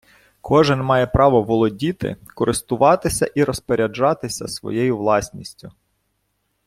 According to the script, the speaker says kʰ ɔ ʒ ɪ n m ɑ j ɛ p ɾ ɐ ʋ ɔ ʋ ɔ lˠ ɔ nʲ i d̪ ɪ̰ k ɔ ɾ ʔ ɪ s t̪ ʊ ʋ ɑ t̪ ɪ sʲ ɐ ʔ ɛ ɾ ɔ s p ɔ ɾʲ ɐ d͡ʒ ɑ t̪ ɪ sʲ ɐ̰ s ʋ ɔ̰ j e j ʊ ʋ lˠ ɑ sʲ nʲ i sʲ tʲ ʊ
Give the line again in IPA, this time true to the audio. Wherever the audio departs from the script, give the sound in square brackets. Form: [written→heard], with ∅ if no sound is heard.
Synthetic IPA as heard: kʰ ɔ ʒ ɪ n m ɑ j ɛ p ɾ [ɐ→ɑ] ʋ ɔ ʋ ɔ lˠ ɔ [nʲ→dʲ] i [d̪→t̪] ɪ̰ k ɔ ɾ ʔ ɪ s t̪ ʊ ʋ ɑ t̪ ɪ sʲ ɐ ʔ [ɛ→i] ɾ ɔ s p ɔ ɾʲ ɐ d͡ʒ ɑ t̪ ɪ sʲ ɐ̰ s ʋ ɔ̰ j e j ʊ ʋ lˠ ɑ sʲ nʲ i sʲ tʲ ʊ

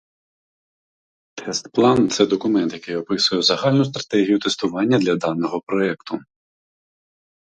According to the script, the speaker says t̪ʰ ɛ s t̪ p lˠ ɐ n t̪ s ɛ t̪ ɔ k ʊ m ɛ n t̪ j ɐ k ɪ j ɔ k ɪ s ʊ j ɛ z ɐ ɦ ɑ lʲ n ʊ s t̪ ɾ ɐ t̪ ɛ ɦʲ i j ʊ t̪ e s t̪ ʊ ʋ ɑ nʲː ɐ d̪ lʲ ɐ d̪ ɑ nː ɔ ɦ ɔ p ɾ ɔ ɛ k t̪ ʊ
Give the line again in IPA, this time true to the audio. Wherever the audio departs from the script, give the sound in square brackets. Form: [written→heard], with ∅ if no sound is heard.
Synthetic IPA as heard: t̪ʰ ɛ s t̪ p lˠ [ɐ→ɑ] n t̪ s ɛ [t̪→d̪] ɔ k ʊ m ɛ n t̪ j ɐ k ɪ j ɔ [k→p] ɪ s ʊ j ɛ z ɐ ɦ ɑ lʲ n ʊ s t̪ ɾ ɐ t̪ ɛ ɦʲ i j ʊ t̪ e s t̪ ʊ ʋ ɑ nʲː ɐ d̪ lʲ ɐ d̪ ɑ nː ɔ ɦ ɔ p ɾ ɔ ɛ k t̪ ʊ

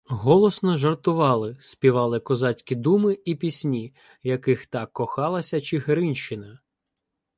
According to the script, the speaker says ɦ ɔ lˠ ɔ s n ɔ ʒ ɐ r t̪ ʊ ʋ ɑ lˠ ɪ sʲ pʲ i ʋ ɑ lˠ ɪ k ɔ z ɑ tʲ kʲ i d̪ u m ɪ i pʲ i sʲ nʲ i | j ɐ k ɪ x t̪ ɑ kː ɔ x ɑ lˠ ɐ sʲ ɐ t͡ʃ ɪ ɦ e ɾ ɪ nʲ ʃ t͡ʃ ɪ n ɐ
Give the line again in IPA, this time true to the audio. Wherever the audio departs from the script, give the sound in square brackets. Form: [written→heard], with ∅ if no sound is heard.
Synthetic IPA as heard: ɦ ɔ lˠ ɔ s n ɔ ʒ ɐ r t̪ ʊ ʋ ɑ lˠ ɪ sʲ pʲ i ʋ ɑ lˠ ɪ k ɔ z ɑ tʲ kʲ i d̪ u m ɪ i pʲ i sʲ nʲ i | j ɐ k ɪ x t̪ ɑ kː ɔ x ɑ lˠ ɐ sʲ ɐ t͡ʃ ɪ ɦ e ɾ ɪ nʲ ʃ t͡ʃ ɪ n ɐ

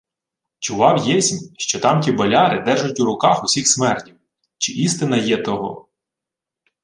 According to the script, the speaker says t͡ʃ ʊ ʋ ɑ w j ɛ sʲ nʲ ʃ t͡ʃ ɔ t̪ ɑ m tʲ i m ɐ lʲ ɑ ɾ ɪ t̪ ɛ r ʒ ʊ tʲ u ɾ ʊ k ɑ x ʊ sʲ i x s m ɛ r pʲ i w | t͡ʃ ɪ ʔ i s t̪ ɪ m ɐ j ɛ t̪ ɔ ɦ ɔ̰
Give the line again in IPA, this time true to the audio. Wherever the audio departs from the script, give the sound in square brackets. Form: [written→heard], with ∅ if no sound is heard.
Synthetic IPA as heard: t͡ʃ ʊ ʋ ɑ w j ɛ sʲ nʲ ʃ t͡ʃ ɔ t̪ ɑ m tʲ i [m→b] ɐ lʲ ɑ ɾ ɪ [t̪→d̪] ɛ r ʒ ʊ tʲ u ɾ ʊ k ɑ x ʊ sʲ i x s m ɛ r [pʲ→tʲ] i w | t͡ʃ ɪ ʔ i s t̪ ɪ [m→n] ɐ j ɛ t̪ ɔ ɦ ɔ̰

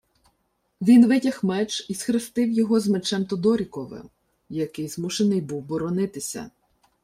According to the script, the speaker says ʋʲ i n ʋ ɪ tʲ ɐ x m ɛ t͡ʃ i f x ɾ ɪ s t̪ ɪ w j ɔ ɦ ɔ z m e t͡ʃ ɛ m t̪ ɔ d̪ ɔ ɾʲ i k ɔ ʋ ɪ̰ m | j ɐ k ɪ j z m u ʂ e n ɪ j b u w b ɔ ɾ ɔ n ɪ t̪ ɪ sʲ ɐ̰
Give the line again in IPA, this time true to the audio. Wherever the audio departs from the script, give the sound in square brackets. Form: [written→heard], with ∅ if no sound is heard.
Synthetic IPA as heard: ʋʲ i n ʋ ɪ tʲ ɐ x m ɛ t͡ʃ i [f→s] x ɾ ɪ s t̪ ɪ w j ɔ ɦ ɔ z m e t͡ʃ ɛ m t̪ ɔ d̪ ɔ ɾʲ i k ɔ ʋ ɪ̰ m | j ɐ k ɪ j z m u [ʂ→ʃ] e n ɪ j b u w b ɔ ɾ ɔ n ɪ t̪ ɪ sʲ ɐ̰

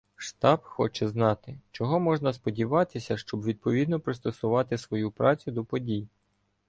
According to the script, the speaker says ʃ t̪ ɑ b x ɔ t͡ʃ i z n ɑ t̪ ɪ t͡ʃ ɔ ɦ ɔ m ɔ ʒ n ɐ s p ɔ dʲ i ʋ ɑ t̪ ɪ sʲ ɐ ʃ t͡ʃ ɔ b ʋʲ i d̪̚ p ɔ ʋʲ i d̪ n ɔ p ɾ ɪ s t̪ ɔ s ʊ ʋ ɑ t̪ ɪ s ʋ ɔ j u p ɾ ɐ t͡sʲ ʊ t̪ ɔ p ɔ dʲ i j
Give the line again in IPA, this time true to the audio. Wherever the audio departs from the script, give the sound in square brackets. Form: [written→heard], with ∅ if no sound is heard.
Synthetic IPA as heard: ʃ t̪ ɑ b x ɔ t͡ʃ [i→ɛ] z n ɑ t̪ ɪ t͡ʃ ɔ ɦ ɔ m ɔ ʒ n ɐ s p ɔ dʲ i ʋ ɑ t̪ ɪ sʲ ɐ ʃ t͡ʃ ɔ b ʋʲ i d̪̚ p ɔ ʋʲ i d̪ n ɔ p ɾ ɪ s t̪ ɔ s ʊ ʋ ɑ t̪ ɪ s ʋ ɔ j u p ɾ [ɐ→ɑ] t͡sʲ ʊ [t̪→d̪] ɔ p ɔ dʲ i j

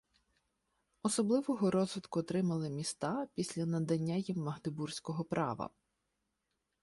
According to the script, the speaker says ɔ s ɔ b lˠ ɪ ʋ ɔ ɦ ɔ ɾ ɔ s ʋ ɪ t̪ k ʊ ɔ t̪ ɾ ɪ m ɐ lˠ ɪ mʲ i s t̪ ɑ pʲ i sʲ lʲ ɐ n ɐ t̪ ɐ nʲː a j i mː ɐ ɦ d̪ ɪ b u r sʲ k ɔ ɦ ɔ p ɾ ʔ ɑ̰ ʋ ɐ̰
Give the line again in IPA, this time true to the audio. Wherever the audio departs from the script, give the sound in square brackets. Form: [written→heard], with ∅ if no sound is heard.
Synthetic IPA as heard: ɔ s ɔ b lˠ ɪ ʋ ɔ ɦ ɔ ɾ ɔ [s→z] ʋ ɪ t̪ k ʊ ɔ t̪ ɾ ɪ m ɐ lˠ ɪ mʲ i s t̪ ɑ pʲ i sʲ lʲ ɐ n ɐ [t̪→d̪] ɐ nʲː a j i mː ɐ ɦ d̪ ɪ b u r sʲ k ɔ ɦ ɔ p ɾ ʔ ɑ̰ ʋ ɐ̰

